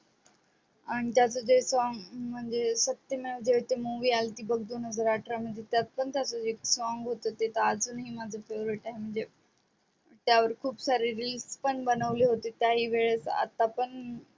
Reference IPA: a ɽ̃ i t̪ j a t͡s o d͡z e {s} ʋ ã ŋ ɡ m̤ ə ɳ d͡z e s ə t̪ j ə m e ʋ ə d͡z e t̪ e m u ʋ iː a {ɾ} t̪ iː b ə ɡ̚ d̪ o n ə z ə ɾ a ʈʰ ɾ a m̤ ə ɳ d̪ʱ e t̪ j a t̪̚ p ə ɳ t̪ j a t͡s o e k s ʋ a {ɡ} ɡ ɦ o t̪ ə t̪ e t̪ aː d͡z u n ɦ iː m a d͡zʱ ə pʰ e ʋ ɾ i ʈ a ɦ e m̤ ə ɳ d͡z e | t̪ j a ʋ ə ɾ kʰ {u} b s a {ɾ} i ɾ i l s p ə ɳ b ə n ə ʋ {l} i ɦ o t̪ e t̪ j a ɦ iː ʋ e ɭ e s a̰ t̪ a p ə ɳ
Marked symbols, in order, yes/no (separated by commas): yes, no, no, no, yes, yes